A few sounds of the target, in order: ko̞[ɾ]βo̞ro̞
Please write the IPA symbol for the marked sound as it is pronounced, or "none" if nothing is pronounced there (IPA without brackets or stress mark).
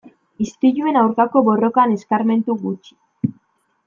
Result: none